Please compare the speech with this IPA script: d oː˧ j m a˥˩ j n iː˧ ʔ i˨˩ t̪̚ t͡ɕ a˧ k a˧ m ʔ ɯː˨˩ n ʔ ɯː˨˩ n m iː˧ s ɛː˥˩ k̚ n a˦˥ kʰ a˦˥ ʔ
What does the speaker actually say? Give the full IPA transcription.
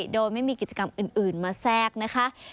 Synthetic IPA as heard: d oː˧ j m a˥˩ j m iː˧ k i˨˩ t̪̚ t͡ɕ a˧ k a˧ m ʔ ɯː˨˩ n ʔ ɯː˨˩ n m aː˧ s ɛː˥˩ k̚ n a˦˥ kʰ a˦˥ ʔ

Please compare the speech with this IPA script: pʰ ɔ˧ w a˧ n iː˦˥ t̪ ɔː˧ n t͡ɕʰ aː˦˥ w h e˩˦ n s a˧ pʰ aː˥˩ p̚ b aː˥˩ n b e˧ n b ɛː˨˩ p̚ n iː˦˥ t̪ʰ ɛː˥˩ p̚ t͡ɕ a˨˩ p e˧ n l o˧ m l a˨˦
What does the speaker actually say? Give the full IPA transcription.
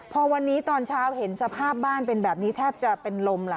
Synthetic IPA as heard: pʰ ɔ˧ w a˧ nː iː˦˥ t̪ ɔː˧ n t͡ɕʰ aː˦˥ w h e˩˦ n s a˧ pʰ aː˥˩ p̚ b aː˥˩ n p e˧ n b ɛː˨˩ p̚ n iː˦˥ t̪ʰ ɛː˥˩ p̚ t͡ɕ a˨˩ p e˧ n l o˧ m l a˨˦

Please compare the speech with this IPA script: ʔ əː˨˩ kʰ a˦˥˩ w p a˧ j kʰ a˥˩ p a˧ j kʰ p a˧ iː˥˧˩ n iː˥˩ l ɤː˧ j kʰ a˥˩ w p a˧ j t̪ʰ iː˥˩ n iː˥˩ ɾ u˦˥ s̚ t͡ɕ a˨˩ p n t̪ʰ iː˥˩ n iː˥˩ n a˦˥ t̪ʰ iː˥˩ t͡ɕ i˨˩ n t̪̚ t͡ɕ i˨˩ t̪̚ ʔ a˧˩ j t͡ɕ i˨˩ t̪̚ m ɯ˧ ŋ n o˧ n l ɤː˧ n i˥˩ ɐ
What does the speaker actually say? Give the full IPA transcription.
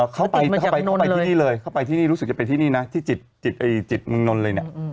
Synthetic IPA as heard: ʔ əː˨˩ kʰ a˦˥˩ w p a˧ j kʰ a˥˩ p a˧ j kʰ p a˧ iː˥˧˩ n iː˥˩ l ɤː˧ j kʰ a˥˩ w p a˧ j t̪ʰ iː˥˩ n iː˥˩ ɾ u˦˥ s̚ t͡ɕ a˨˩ p n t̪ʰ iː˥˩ n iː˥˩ n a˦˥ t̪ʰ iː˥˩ t͡ɕ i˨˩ t̪̚ t͡ɕ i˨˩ t̪̚ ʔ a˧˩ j t͡ɕ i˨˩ t̪̚ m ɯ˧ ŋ n o˧ n l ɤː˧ n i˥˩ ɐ

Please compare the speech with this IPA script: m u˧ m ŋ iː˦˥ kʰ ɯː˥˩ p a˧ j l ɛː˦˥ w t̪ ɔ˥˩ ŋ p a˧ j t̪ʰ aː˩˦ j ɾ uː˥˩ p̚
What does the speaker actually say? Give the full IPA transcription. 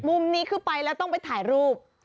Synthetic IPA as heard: m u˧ m n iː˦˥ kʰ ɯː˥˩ p a˧ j l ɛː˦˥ w t̪ ɔ˥˩ ŋ p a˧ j t̪ʰ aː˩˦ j ɾ uː˥˩ p̚

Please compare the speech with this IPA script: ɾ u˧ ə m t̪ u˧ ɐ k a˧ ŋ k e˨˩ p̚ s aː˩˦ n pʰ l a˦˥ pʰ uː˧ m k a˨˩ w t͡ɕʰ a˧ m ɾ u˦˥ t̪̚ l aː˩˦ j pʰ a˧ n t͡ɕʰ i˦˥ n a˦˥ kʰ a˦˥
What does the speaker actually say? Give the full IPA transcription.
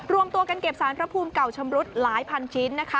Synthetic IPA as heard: ɾ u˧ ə m t̪ u˧ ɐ k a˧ n k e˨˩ p̚ s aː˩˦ n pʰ ɾ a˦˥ pʰ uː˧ m k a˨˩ w t͡ɕʰ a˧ m ɾ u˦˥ t̪̚ l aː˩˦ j pʰ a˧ n t͡ɕʰ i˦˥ nː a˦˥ kʰ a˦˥

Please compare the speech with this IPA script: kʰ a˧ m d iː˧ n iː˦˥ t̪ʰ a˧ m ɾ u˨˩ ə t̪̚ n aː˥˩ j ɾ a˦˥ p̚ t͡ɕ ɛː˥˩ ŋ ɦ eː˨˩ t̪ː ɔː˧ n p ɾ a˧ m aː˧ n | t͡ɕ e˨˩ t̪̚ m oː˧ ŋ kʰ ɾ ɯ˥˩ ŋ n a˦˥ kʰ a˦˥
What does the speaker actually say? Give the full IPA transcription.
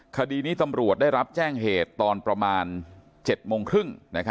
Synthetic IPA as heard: kʰ a˧ d iː˧ n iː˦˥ t̪ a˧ m ɾ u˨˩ ə t̪̚ d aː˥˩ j ɾ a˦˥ p̚ t͡ɕ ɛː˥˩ ŋ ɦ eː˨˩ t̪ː ɔː˧ n p ɾ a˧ m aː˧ n | t͡ɕ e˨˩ t̪̚ m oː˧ ŋ kʰ ɾ ɯ˥˩ ŋ n a˦˥ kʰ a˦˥

